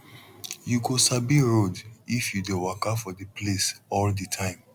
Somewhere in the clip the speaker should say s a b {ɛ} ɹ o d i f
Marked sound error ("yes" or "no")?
yes